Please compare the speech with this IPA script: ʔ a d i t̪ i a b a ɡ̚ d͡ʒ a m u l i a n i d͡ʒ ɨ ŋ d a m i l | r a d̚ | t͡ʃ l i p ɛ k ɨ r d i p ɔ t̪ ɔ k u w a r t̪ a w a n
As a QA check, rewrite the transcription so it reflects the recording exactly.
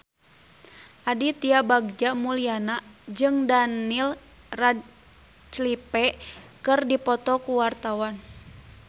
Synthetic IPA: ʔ a d i t̪ i a b a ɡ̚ d͡ʒ a m u l i a n a d͡ʒ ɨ ŋ d a n i l | r a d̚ | t͡ʃ l i p ɛ k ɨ r d i p ɔ t̪ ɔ k u w a r t̪ a w a n